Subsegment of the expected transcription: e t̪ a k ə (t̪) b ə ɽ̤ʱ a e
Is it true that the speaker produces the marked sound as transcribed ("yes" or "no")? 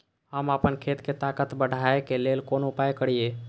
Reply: yes